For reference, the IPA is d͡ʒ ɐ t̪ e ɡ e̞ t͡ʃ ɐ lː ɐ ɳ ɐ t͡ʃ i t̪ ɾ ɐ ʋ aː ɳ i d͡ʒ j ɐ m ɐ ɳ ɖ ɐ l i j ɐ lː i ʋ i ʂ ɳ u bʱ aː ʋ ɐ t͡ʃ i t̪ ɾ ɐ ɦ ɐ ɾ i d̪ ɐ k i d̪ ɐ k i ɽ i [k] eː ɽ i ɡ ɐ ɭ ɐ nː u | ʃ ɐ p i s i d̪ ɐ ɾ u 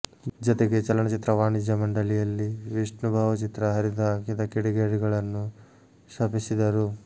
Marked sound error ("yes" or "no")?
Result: yes